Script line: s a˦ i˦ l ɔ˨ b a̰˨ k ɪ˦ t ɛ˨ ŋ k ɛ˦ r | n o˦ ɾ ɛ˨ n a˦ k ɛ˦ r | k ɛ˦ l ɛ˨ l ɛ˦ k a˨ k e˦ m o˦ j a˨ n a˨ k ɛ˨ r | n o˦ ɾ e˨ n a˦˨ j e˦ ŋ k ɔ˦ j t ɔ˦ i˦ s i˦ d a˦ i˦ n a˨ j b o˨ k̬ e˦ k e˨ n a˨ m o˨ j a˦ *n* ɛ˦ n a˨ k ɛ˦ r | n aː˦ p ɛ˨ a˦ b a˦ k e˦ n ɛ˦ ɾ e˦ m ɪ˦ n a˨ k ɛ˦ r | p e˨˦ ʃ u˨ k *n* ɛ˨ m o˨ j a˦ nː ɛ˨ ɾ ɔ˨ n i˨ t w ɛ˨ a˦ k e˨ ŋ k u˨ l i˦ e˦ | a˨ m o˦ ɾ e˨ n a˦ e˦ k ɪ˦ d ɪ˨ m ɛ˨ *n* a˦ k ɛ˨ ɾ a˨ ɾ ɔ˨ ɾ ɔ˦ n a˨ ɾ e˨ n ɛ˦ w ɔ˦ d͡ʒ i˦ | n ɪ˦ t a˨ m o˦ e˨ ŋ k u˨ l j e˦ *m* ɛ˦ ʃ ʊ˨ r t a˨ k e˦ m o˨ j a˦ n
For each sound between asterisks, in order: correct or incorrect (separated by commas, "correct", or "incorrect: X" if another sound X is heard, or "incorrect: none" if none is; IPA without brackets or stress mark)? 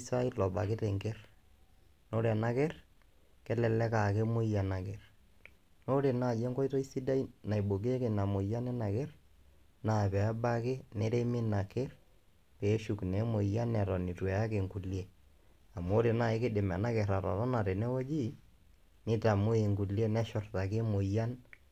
correct, correct, correct, incorrect: n